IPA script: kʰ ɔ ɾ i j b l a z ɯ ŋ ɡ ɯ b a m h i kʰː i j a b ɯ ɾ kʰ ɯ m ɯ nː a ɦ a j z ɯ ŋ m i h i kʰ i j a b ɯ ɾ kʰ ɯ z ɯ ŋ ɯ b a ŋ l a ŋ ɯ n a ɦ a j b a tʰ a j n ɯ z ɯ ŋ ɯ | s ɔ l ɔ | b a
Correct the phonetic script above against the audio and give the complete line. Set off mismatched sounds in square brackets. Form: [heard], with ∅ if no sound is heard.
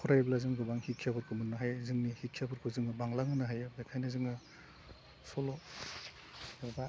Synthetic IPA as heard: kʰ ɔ ɾ [a] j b l a z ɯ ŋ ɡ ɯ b a [ŋ] h i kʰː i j a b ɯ ɾ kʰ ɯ m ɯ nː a ɦ a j z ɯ ŋ [n] i h i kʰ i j a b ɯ ɾ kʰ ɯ z ɯ ŋ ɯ b a ŋ l a ŋ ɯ n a ɦ a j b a [kʰ] a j n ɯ z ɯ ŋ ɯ | s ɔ l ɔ | b a